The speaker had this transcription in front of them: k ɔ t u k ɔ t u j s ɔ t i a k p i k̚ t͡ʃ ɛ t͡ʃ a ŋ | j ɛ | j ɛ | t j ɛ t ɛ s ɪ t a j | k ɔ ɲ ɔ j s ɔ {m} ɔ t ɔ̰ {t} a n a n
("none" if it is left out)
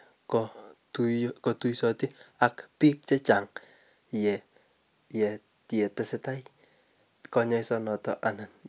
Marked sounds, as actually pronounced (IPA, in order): n, ʔ

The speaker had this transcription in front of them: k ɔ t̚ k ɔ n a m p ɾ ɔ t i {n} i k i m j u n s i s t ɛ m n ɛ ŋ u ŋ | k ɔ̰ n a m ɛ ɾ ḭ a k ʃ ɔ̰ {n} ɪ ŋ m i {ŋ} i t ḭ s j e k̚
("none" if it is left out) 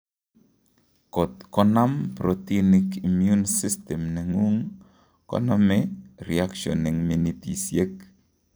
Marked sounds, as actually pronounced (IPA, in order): n, n, n

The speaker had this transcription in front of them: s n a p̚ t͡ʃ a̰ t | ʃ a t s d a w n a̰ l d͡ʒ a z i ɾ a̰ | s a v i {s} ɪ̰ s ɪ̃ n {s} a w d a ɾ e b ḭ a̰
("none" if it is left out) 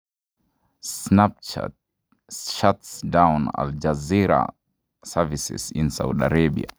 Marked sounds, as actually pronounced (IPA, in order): s, s

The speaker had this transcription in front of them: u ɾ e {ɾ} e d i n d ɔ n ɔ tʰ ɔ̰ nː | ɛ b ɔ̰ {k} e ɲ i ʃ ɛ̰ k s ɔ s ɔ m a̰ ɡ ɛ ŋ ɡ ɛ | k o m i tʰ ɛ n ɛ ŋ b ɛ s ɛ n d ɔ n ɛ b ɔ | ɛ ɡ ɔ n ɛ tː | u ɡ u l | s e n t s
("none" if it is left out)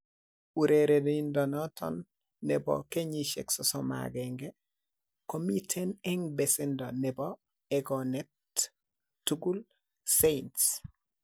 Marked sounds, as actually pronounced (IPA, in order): ɾ, k

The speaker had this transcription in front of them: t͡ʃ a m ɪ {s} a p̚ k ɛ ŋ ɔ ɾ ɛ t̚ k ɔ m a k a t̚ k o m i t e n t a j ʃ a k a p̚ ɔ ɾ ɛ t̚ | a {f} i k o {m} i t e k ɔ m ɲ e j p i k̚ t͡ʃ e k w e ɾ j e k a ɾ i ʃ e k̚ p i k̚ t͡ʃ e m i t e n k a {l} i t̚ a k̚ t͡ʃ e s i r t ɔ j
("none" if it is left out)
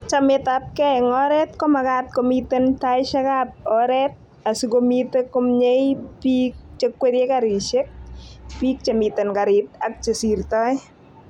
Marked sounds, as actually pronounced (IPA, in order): t, s, m, ɾ

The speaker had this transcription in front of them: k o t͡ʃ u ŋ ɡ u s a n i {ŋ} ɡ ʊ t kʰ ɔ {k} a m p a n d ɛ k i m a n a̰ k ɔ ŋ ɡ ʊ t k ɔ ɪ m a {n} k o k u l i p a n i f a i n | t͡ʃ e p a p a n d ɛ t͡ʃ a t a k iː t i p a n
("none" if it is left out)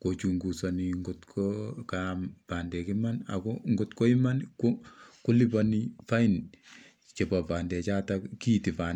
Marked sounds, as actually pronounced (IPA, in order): ŋ, k, n

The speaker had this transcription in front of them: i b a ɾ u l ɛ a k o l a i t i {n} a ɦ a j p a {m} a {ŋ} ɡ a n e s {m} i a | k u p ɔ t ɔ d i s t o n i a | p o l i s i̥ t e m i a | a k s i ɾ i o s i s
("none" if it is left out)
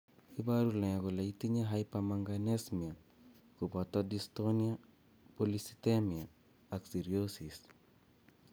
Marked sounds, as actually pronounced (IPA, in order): ɲ, m, ŋ, m

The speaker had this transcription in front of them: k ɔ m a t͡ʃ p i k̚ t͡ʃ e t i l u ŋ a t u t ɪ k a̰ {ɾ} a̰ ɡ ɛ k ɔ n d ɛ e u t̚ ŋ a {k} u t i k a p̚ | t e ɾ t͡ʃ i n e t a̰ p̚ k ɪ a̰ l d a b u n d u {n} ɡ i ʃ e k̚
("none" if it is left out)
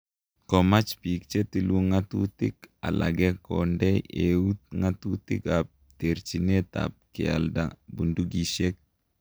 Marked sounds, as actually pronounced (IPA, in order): l, t, none

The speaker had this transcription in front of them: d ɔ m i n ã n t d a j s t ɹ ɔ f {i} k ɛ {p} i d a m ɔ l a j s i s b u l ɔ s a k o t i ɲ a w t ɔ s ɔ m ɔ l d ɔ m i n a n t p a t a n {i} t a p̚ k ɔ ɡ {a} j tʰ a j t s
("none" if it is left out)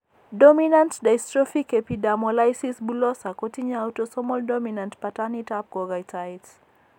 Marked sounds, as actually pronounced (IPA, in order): i, p, i, a

